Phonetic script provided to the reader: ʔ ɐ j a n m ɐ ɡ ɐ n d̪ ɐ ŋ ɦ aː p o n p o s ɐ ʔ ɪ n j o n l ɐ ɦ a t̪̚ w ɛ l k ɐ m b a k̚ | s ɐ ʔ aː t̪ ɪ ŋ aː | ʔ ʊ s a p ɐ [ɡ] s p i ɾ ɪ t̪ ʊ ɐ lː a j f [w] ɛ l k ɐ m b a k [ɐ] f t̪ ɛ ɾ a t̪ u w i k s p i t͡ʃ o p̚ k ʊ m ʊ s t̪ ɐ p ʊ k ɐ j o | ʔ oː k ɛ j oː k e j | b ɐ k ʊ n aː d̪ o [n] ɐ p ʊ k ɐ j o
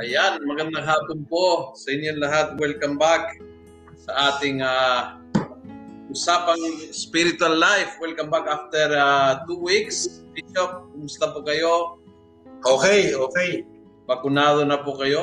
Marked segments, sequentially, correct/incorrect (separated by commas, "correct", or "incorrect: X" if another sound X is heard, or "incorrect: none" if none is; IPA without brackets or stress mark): incorrect: ŋ, correct, incorrect: a, correct